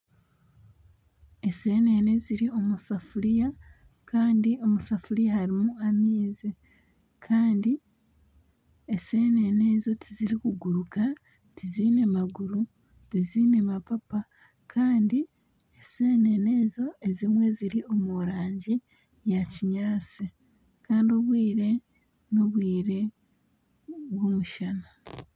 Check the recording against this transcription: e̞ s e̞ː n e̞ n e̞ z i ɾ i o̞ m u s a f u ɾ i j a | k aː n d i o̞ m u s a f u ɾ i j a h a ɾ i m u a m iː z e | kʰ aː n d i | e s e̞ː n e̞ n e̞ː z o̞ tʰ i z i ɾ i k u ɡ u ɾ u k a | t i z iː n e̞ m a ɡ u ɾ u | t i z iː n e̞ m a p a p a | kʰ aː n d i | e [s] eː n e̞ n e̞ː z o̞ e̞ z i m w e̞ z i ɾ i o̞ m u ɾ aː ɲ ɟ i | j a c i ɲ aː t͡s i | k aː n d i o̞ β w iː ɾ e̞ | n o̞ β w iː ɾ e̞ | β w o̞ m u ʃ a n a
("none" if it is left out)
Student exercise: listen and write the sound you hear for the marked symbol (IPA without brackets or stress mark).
s